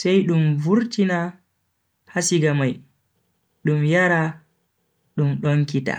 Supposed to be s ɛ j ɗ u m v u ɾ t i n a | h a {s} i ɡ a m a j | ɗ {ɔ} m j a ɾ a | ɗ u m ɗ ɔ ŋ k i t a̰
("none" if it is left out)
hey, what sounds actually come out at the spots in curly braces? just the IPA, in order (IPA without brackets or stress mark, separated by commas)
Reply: s, u